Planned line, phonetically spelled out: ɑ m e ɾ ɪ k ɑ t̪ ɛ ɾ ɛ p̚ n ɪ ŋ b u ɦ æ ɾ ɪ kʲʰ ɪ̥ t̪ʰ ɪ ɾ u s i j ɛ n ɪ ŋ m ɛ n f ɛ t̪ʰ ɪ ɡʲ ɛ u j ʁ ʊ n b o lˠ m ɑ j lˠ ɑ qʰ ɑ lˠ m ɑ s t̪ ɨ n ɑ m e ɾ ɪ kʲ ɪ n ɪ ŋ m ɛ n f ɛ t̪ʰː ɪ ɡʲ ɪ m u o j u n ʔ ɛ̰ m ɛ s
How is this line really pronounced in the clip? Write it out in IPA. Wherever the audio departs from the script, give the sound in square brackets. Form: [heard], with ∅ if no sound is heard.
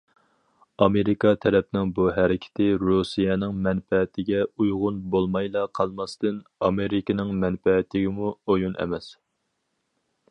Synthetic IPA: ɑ m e ɾ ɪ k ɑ [t̪ʰ] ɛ ɾ ɛ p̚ n ɪ ŋ b u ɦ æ ɾ ɪ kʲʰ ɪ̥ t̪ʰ ɪ ɾ u s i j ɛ n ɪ ŋ m ɛ n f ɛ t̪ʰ ɪ ɡʲ ɛ u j ʁ ʊ n b o lˠ m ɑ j lˠ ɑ qʰ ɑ lˠ m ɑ s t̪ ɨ n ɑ m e ɾ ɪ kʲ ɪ n ɪ ŋ m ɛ n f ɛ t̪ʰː ɪ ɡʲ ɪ m u o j u n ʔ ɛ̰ m ɛ s